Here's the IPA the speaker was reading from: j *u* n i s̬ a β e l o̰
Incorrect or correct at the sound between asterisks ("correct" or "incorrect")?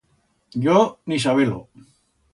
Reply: incorrect